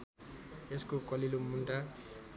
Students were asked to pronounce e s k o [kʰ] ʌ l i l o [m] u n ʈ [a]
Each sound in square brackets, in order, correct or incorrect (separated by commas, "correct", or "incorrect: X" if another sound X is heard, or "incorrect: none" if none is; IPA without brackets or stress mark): incorrect: k, correct, correct